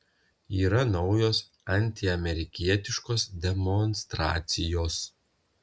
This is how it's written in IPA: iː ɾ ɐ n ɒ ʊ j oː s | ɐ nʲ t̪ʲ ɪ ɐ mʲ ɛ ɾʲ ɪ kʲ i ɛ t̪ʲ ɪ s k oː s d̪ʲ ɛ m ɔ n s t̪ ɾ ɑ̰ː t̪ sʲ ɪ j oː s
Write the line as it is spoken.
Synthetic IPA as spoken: iː ɾ ɐ n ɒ ʊ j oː s | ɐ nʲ t̪ʲ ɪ ɐ mʲ ɛ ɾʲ ɪ kʲ i ɛ t̪ʲ ɪ ʃ k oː s d̪ʲ ɛ m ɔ n s t̪ ɾ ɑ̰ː t̪ sʲ ɪ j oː s

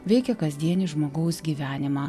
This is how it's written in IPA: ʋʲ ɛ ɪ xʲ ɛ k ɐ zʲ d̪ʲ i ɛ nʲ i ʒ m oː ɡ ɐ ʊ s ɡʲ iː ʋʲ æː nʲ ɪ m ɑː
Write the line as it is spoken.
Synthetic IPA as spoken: ʋʲ ɛ ɪ kʲ ɛ k ɐ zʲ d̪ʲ i ɛ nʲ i ʒ m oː ɡ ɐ ʊ s ɡʲ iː ʋʲ æː nʲ ɪ m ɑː

